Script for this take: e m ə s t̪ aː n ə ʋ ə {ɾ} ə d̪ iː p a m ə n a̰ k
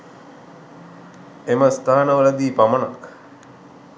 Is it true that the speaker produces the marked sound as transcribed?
no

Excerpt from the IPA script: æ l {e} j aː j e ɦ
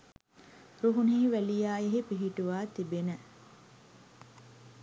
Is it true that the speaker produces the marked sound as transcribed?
no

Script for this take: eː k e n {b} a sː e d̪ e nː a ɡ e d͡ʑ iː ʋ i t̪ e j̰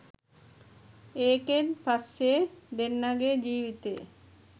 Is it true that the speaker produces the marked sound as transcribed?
no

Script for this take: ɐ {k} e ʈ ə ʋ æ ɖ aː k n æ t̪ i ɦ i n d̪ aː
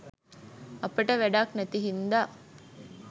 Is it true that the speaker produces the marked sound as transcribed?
no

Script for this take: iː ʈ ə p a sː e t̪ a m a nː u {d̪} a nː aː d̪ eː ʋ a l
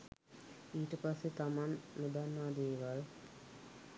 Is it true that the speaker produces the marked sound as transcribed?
yes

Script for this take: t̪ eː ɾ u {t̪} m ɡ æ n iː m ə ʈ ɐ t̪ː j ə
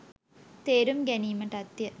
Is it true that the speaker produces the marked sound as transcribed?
no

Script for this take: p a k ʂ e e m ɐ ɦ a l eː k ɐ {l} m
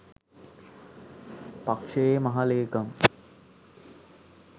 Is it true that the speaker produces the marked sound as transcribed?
no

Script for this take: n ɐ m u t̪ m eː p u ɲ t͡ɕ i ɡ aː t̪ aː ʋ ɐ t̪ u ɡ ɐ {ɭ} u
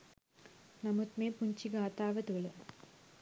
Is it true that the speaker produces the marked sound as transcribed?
yes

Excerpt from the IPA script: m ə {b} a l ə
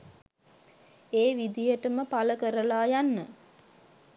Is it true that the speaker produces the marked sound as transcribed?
no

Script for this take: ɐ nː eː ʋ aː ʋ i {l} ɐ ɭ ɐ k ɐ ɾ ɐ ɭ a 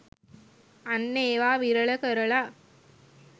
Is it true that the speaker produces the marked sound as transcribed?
no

